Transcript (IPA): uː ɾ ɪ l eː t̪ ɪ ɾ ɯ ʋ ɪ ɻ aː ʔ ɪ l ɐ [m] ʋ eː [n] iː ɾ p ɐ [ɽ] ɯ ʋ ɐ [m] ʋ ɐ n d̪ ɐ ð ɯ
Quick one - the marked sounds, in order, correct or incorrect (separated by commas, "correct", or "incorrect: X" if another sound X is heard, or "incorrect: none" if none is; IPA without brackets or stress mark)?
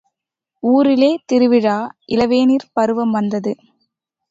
incorrect: none, correct, incorrect: ɾ, correct